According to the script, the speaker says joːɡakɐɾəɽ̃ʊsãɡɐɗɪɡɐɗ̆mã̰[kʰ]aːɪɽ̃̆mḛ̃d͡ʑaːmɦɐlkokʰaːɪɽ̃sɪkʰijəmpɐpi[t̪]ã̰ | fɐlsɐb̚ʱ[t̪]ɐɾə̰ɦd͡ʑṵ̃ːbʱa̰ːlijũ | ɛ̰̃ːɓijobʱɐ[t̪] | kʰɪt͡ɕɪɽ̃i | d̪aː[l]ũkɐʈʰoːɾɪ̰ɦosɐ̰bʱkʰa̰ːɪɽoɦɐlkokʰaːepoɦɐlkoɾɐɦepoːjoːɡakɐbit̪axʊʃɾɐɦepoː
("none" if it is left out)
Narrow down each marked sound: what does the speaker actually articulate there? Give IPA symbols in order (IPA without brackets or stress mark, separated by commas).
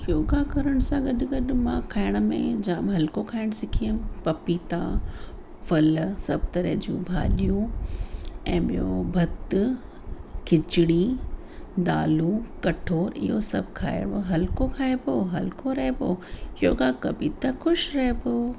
kʰ, t̪, t̪, t̪, l